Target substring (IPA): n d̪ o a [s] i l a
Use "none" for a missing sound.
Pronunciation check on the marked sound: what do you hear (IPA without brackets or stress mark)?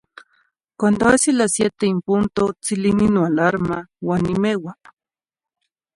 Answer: s